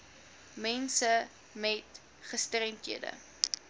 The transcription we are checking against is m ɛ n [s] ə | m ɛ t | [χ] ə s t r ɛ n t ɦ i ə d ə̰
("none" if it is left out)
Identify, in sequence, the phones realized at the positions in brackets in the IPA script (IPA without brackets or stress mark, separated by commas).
s, χ